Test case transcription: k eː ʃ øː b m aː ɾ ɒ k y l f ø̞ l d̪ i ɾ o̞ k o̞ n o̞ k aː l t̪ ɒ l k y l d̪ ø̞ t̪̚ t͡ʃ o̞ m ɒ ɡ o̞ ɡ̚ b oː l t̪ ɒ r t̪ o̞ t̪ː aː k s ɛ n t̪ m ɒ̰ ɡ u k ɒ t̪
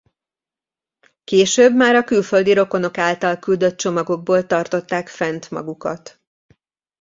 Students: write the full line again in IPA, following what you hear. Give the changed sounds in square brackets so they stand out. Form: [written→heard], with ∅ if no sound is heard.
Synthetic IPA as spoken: k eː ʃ øː b m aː ɾ ɒ k y l f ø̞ l d̪ i ɾ o̞ k o̞ n o̞ k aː l t̪ ɒ l k y l d̪ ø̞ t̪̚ t͡ʃ o̞ m ɒ ɡ o̞ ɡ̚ b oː l t̪ ɒ r t̪ o̞ t̪ː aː k [s→f] ɛ n t̪ m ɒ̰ ɡ u k ɒ t̪